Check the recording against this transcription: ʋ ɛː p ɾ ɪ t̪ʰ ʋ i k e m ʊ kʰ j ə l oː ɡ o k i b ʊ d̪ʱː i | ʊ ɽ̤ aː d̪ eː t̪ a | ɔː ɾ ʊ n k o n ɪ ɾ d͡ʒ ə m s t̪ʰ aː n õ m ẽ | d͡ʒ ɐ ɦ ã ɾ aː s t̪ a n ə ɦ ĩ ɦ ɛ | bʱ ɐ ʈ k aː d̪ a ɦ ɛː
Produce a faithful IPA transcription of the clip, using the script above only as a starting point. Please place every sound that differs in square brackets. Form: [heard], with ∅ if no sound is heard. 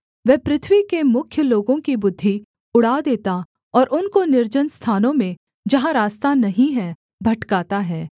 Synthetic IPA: ʋ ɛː p ɾ ɪ t̪ʰ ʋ i k e m ʊ kʰ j ə l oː ɡ [õ] k i b ʊ d̪ʱː i | ʊ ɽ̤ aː d̪ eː t̪ a | ɔː ɾ ʊ n k o n ɪ ɾ d͡ʒ ə [n] s t̪ʰ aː n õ m ẽ | d͡ʒ ɐ ɦ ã ɾ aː s t̪ a n [ɐ] ɦ ĩ ɦ ɛ | bʱ ɐ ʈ k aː [t̪] a ɦ ɛː